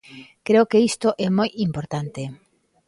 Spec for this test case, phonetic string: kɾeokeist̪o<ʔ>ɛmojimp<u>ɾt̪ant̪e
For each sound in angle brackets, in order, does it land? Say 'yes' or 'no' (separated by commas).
yes, no